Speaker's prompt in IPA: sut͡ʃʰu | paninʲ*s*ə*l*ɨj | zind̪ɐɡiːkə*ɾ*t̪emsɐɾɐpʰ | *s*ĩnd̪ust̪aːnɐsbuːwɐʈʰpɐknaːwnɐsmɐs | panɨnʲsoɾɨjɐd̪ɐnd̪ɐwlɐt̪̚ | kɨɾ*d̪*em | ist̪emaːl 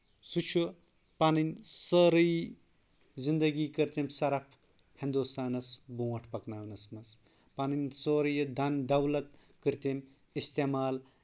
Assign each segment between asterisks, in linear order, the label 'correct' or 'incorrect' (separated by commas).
correct, incorrect, correct, incorrect, incorrect